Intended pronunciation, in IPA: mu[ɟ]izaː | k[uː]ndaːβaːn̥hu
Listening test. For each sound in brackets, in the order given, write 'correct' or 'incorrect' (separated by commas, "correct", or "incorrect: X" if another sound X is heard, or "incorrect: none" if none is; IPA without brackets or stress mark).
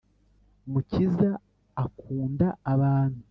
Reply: incorrect: c, correct